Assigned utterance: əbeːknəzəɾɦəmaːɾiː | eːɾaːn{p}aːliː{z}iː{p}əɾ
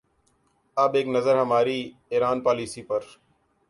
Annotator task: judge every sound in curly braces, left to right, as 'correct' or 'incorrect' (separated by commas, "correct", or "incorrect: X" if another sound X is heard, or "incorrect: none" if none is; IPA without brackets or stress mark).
correct, incorrect: s, correct